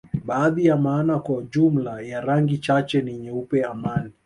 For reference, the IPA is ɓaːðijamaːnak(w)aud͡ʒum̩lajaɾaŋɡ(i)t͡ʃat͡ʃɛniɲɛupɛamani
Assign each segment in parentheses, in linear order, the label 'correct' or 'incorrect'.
correct, correct

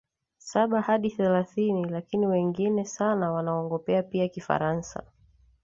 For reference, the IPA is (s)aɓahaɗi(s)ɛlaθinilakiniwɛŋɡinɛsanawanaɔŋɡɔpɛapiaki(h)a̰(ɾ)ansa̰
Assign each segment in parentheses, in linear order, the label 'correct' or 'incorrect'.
correct, incorrect, incorrect, correct

